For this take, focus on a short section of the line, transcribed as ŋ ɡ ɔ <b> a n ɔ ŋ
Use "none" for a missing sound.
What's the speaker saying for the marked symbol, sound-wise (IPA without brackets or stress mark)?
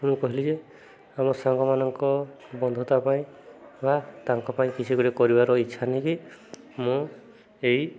m